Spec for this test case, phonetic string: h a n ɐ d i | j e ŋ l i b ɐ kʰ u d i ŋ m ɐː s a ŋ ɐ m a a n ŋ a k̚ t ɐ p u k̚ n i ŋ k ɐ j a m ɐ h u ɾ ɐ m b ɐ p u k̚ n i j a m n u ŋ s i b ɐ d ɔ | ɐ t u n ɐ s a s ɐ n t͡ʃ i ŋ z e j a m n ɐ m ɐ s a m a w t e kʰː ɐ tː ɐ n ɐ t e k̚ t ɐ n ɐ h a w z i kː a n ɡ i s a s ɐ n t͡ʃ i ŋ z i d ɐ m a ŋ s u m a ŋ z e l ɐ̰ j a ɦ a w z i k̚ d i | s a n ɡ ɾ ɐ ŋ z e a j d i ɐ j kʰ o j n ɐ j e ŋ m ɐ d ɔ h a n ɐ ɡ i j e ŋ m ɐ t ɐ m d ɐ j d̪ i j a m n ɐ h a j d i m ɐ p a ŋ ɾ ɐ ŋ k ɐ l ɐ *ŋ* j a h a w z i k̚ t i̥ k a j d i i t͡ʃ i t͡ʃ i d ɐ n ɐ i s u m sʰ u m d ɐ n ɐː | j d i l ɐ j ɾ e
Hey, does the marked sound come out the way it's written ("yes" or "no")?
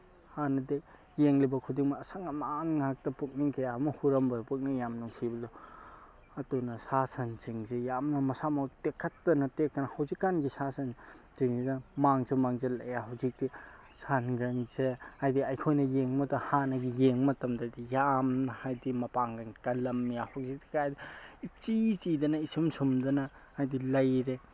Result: no